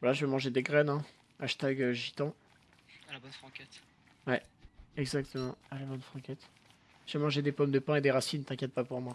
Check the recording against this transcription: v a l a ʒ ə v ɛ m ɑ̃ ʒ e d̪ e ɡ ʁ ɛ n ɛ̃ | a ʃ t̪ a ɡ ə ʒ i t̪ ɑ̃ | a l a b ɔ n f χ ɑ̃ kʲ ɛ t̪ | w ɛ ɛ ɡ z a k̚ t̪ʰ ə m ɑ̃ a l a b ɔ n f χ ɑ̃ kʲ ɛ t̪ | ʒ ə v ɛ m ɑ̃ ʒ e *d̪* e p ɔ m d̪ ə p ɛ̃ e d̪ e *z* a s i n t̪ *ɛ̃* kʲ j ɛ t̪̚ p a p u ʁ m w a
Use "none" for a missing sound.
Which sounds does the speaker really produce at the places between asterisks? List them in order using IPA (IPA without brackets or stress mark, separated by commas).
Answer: d̪, ʁ, ɛ̃